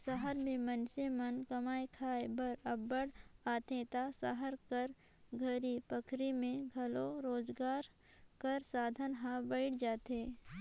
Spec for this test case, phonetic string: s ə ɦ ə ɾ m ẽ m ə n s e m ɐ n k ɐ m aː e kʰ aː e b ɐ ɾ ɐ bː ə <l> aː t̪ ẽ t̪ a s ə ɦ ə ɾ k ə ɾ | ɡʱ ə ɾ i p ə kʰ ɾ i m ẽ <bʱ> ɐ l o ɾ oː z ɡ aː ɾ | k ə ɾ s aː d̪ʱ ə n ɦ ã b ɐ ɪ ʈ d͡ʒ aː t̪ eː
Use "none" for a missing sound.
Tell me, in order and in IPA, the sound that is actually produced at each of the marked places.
ɽ, ɡʱ

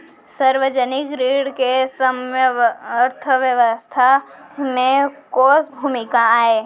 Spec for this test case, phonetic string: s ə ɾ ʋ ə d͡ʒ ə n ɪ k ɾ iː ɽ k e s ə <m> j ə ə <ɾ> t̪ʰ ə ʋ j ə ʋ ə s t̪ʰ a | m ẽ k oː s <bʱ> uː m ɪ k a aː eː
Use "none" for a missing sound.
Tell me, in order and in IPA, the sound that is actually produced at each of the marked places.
m, ɾ, bʱ

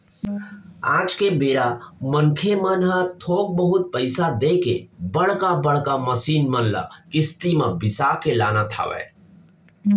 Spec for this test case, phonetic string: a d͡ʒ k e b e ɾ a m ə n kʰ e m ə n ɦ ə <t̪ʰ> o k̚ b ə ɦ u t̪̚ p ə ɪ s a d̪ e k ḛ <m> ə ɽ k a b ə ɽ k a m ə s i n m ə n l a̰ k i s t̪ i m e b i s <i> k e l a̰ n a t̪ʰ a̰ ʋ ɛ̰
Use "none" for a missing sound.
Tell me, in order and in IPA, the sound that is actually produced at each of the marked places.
t̪ʰ, b, a

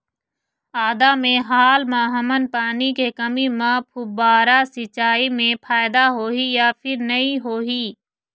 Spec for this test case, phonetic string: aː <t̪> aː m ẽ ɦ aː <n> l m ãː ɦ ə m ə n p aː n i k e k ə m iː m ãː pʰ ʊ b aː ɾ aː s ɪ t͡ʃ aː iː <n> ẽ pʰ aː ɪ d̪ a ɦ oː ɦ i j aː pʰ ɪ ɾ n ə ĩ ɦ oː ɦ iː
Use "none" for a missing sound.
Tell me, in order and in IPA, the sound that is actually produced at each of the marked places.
d̪, none, m

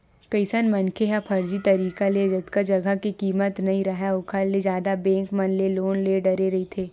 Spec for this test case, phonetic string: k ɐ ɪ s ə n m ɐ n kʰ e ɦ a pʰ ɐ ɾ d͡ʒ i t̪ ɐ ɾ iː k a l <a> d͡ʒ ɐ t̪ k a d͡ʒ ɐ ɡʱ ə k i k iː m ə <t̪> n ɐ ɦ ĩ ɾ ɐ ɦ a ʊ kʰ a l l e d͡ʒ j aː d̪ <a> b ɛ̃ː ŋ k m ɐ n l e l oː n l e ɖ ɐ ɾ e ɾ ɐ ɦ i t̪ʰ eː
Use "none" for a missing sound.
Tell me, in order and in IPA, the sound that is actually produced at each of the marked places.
e, t̪, a

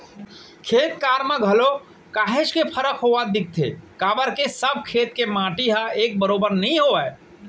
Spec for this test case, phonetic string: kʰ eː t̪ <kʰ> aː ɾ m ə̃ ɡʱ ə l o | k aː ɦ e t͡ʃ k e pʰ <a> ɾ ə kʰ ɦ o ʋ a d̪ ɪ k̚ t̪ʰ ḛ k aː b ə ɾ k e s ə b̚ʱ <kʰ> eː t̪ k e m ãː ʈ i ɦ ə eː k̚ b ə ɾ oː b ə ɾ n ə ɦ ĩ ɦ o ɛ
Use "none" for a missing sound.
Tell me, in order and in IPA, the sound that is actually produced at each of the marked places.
k, ə, kʰ

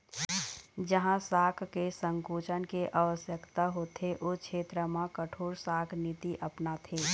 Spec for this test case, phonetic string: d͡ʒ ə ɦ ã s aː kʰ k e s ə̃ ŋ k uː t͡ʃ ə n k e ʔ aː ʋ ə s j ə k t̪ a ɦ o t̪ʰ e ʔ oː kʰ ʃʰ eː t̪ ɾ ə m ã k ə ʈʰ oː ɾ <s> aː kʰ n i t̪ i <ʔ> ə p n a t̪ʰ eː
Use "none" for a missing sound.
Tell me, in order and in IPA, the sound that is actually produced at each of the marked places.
s, ʔ

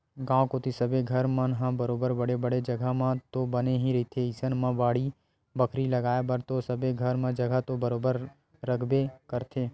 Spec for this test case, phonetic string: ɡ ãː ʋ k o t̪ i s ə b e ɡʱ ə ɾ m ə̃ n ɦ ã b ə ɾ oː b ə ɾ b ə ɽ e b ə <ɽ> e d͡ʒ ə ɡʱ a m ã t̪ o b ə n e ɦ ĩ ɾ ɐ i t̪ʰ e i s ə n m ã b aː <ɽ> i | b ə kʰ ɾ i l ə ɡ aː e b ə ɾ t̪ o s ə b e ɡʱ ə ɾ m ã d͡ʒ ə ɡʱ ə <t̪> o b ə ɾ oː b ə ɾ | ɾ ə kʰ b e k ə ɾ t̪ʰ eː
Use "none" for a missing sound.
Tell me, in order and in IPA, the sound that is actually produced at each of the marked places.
ɽ, ɽ, t̪

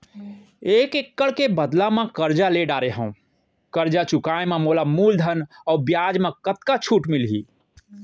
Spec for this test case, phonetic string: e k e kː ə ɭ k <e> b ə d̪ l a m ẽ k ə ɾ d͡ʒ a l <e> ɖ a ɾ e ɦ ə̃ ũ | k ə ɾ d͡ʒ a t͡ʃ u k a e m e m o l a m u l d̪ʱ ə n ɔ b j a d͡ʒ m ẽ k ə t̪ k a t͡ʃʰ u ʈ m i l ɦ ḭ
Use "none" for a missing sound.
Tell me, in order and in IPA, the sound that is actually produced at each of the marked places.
e, e

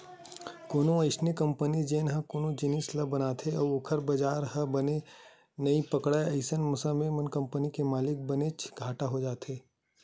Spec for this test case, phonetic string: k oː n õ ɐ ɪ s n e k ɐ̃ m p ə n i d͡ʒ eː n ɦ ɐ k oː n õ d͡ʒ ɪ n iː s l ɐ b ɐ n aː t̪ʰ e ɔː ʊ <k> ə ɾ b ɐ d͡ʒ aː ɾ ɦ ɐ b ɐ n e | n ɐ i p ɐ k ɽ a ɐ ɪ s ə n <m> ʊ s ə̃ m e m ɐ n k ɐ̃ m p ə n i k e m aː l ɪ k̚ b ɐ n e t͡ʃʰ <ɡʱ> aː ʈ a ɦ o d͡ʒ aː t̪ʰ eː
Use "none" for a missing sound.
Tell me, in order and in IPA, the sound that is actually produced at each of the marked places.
kʰ, m, ɡʱ

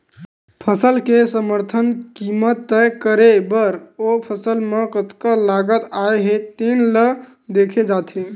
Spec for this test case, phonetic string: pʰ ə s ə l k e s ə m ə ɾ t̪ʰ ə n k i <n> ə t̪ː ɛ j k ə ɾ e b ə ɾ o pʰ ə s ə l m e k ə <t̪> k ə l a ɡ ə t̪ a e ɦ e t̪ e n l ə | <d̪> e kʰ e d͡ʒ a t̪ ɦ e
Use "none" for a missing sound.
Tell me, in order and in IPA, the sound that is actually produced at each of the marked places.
m, t̪, d̪

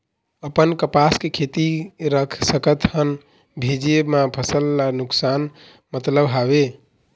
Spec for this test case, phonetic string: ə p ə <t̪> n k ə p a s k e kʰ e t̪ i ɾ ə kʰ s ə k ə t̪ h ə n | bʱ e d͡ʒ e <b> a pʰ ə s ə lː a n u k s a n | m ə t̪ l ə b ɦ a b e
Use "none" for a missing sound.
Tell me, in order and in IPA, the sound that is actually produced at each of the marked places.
none, m

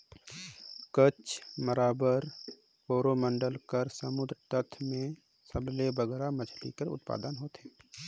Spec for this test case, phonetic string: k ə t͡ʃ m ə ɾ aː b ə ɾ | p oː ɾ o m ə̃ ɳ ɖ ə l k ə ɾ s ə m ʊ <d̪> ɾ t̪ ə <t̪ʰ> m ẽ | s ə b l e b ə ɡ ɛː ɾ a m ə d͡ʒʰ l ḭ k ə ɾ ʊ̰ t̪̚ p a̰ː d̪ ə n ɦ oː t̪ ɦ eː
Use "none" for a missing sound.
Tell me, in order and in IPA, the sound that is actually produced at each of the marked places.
d̪, t̪ʰ

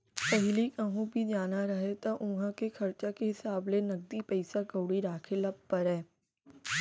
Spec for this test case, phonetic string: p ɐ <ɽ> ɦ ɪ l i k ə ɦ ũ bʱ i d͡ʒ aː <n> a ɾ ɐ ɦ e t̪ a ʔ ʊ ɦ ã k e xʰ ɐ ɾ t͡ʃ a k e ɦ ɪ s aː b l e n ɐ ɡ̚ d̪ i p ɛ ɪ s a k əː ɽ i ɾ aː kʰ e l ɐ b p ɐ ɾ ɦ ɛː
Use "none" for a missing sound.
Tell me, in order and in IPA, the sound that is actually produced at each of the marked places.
none, n

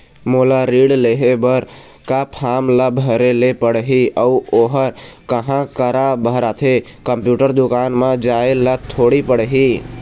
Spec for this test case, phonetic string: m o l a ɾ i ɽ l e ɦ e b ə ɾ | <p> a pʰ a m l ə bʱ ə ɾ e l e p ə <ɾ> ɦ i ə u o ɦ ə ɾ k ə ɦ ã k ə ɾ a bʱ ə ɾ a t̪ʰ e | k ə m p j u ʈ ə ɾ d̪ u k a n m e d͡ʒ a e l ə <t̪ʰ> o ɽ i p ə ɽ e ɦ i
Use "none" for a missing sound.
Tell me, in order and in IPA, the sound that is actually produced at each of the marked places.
k, ɽ, t̪ʰ

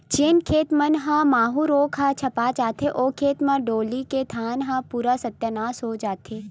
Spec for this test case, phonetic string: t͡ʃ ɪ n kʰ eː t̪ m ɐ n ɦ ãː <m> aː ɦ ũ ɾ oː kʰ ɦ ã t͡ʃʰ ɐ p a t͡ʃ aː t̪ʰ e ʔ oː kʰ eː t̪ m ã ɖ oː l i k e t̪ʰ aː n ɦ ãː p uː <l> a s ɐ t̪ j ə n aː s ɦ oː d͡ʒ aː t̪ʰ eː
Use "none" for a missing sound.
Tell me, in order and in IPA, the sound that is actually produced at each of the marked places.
m, ɾ

